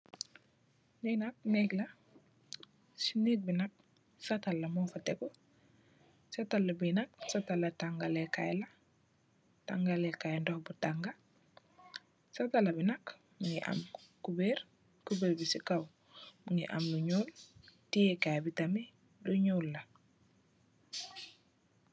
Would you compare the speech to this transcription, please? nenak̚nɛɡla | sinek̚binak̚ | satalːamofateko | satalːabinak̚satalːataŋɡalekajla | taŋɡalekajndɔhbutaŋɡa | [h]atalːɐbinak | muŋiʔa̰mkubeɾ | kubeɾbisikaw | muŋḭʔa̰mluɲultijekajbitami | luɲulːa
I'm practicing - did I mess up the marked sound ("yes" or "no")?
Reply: yes